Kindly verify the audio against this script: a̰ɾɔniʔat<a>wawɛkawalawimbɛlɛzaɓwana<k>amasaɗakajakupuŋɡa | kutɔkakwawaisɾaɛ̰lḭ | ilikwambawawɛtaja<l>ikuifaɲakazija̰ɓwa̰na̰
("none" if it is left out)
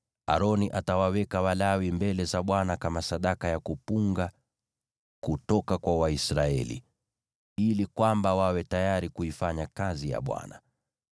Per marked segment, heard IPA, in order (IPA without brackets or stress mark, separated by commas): a, k, ɾ